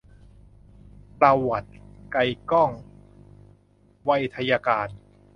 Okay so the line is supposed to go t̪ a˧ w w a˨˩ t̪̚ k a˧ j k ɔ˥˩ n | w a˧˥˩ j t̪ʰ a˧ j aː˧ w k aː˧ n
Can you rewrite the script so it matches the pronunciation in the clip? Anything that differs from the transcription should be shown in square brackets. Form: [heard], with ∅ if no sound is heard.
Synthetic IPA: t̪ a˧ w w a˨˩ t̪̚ k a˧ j k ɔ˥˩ [ŋ] | w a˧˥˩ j t̪ʰ a˧ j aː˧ [∅] k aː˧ n